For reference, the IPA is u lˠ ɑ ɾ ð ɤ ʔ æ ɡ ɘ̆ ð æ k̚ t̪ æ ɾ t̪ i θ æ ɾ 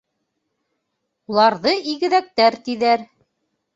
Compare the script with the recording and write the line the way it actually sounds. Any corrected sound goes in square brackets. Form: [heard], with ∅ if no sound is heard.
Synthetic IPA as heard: u lˠ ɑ ɾ ð ɤ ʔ [i] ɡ ɘ̆ ð æ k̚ t̪ æ ɾ t̪ i [ð] æ ɾ